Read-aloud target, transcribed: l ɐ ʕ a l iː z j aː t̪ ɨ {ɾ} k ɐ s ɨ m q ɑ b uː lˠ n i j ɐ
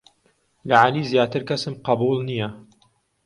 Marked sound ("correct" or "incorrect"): correct